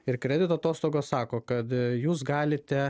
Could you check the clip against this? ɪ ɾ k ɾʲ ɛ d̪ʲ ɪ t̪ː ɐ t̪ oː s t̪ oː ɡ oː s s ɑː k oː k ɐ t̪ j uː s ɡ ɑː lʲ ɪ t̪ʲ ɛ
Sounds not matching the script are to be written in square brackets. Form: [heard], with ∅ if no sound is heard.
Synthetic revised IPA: ɪ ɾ k ɾʲ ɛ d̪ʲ ɪ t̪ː ɐ t̪ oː s t̪ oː ɡ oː s s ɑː k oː k ɐ t̪ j uː s ɡ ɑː lʲ ɪ t̪ʲ ɛ